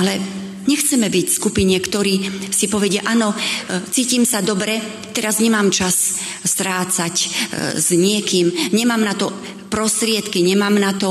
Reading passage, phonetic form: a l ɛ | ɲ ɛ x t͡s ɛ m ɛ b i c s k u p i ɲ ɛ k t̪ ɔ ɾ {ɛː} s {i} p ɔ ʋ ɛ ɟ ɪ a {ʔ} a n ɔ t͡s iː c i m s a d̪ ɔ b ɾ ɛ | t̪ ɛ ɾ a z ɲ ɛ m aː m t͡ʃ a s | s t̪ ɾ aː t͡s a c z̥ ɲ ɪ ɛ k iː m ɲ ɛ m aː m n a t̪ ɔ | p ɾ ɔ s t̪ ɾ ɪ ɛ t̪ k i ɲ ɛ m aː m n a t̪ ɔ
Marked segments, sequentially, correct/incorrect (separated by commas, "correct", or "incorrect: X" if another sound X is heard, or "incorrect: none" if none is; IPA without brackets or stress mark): incorrect: iː, correct, correct